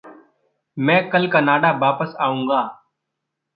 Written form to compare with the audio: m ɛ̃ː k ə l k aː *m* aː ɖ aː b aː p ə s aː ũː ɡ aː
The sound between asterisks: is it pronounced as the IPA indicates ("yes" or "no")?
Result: no